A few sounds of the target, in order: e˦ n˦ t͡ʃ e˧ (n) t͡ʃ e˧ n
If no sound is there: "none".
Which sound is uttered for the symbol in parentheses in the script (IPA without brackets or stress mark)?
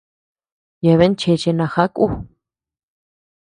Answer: none